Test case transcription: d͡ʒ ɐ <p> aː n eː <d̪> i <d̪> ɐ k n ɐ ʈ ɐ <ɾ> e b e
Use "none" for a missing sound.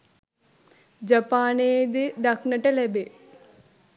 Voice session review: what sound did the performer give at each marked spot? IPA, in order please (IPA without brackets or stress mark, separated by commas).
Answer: p, d̪, d̪, l